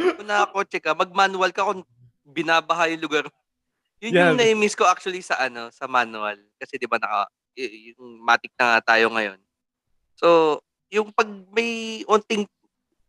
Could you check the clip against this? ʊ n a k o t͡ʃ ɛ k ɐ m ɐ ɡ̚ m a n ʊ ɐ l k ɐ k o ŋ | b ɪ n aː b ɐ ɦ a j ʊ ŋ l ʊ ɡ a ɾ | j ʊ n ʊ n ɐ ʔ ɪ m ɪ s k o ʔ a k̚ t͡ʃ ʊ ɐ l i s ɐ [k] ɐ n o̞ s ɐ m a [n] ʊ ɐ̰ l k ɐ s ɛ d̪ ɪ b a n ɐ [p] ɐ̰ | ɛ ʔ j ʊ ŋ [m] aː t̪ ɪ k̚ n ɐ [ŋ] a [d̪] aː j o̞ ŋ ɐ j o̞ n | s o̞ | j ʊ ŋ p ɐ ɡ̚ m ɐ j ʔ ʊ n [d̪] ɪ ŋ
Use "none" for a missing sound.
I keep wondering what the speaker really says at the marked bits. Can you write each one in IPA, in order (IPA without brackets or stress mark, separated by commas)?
ʔ, n, k, m, ŋ, t̪, t̪